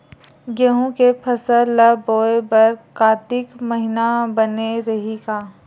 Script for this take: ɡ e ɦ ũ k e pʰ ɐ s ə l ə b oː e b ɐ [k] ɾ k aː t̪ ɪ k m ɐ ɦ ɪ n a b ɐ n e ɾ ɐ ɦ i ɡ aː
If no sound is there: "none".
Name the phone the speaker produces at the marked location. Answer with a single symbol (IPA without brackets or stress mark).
none